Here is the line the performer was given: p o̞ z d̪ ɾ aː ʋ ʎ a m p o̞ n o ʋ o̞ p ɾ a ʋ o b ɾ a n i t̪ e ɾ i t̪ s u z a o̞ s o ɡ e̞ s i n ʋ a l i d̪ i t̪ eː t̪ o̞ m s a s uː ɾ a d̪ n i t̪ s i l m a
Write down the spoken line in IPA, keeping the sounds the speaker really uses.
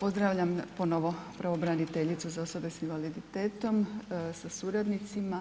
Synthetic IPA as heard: p o̞ z d̪ ɾ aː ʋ ʎ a m p o̞ n o ʋ o̞ p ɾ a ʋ o b ɾ a n i t̪ e ʎ i t̪ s u z a o̞ s o b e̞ s i n ʋ a l i d̪ i t̪ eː t̪ o̞ m s a s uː ɾ a d̪ n i t̪ s i m a